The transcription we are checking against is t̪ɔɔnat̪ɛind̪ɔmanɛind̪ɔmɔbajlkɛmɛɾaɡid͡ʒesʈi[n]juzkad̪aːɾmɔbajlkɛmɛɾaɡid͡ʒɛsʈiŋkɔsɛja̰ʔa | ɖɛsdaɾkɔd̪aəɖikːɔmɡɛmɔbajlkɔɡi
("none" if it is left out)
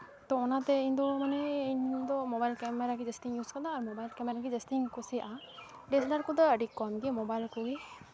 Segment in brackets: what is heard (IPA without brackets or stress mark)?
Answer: ŋ